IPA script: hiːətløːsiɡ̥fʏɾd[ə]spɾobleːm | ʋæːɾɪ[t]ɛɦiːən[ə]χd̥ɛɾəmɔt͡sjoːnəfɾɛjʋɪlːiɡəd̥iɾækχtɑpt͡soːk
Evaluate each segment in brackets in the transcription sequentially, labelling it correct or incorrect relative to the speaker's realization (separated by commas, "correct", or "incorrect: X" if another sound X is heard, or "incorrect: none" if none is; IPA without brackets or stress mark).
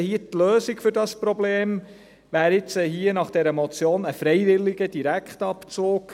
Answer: incorrect: ɑ, incorrect: t͡s, incorrect: ɑ